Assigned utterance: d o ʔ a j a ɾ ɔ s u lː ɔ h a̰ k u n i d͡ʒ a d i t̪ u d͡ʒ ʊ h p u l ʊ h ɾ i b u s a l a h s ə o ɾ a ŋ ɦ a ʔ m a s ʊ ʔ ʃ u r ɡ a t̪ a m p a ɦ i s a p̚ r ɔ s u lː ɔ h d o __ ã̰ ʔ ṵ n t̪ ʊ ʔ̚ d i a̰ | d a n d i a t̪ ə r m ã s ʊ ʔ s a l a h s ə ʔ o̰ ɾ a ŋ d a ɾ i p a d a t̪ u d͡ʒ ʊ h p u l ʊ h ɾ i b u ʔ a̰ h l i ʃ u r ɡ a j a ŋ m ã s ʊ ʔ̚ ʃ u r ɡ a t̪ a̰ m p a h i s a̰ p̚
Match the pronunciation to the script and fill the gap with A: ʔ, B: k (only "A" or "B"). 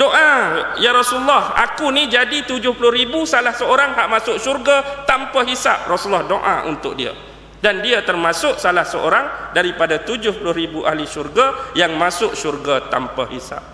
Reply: A